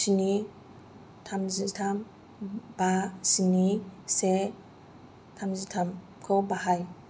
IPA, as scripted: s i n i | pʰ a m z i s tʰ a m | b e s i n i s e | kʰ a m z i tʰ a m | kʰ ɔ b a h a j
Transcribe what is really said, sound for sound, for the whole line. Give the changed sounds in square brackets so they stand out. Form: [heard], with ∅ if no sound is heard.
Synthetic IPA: s i n i | [tʰ] a m z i [∅] tʰ a m | b [a] s i n i s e | [tʰ] a m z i tʰ a m | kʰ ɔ b a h a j